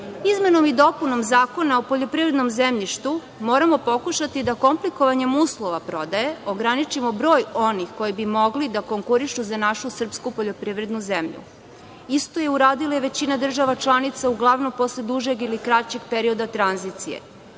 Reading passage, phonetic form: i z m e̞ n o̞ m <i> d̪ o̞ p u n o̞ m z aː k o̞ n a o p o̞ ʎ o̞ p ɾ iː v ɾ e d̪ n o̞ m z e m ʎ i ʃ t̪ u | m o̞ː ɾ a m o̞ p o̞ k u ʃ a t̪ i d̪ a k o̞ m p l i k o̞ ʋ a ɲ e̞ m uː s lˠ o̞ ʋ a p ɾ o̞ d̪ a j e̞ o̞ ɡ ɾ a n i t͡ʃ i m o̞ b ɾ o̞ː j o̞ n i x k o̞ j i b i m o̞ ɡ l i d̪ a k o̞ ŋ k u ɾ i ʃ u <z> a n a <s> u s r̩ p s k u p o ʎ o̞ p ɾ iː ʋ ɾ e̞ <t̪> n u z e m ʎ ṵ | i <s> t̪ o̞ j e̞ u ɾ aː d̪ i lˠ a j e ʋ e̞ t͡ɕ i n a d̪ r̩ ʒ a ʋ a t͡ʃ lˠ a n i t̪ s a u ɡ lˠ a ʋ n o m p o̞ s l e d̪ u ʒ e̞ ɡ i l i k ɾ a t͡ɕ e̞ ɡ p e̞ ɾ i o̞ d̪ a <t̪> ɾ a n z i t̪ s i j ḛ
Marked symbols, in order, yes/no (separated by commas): yes, yes, no, no, yes, yes